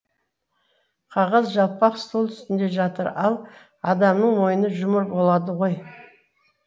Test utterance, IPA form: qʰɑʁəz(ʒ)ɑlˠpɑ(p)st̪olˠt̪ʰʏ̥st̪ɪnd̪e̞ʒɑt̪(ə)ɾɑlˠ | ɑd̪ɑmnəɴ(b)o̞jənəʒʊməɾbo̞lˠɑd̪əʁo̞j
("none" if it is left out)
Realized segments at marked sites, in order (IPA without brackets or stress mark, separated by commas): ʒ, q, ə, m